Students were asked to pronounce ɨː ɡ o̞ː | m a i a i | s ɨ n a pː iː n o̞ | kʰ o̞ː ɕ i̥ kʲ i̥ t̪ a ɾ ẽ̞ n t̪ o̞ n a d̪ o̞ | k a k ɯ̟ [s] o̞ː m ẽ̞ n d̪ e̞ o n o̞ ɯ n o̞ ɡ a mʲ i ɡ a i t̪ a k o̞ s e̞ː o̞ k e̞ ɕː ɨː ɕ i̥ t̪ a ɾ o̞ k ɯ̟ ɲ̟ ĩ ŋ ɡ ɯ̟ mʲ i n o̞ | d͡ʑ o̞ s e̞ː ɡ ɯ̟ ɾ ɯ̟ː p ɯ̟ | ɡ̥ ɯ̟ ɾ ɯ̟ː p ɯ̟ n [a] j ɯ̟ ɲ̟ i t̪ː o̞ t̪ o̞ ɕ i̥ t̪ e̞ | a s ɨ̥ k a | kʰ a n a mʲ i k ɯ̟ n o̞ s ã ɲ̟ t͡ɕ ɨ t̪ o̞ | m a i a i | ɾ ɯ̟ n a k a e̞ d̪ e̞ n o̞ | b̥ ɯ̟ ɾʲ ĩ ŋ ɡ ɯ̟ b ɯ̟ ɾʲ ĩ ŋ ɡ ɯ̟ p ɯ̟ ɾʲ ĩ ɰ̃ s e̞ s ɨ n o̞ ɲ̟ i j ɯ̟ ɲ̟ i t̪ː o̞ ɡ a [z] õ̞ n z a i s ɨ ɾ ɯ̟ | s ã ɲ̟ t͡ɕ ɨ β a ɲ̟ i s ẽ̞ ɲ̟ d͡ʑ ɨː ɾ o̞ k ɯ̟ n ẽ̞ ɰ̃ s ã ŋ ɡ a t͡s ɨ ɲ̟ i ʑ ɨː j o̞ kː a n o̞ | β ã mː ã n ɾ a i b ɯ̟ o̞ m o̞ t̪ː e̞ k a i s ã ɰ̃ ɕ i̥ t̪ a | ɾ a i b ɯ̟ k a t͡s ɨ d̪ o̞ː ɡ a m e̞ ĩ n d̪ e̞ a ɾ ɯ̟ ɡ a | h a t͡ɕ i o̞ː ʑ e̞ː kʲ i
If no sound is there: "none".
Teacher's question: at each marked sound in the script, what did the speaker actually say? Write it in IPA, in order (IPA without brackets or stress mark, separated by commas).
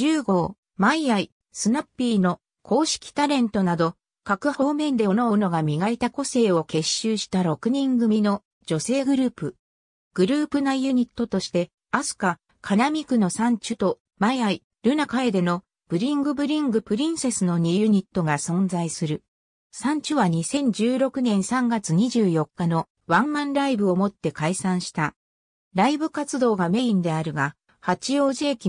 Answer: h, a, s